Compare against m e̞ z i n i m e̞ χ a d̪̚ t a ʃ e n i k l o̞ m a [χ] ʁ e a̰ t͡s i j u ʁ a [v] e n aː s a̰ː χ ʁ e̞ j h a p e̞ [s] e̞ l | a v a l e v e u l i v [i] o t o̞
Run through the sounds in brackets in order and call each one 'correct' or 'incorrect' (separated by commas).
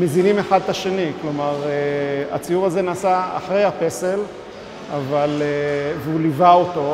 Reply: incorrect, incorrect, correct, incorrect